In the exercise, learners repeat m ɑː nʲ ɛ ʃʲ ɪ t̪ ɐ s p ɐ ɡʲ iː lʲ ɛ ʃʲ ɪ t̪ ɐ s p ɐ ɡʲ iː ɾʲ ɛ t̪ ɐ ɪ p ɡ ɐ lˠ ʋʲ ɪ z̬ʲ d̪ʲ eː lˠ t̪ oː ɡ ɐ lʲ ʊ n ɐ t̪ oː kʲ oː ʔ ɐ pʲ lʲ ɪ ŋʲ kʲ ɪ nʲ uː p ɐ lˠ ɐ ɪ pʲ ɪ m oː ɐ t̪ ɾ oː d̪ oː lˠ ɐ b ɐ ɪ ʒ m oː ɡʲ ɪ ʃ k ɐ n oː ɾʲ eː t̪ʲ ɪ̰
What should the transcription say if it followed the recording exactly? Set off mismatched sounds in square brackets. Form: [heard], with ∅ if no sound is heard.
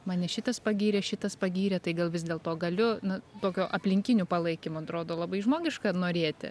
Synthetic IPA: m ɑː nʲ ɛ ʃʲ ɪ t̪ ɐ s p ɐ ɡʲ iː [ɾʲ] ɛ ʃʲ ɪ t̪ ɐ s p ɐ ɡʲ iː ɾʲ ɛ t̪ ɐ ɪ [∅] ɡ ɐ lˠ ʋʲ ɪ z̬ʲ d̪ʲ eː lˠ t̪ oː ɡ ɐ lʲ ʊ n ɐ t̪ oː kʲ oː ʔ ɐ pʲ lʲ ɪ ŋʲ kʲ ɪ nʲ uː p ɐ lˠ ɐ ɪ [kʲ] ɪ m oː ɐ t̪ ɾ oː d̪ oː lˠ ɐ b ɐ ɪ ʒ m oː ɡʲ ɪ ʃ k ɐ n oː ɾʲ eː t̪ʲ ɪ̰